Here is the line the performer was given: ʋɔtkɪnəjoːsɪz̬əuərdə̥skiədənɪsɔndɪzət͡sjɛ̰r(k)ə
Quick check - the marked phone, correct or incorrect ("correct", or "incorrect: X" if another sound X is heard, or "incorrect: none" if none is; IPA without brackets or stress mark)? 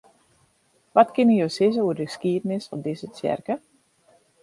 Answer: correct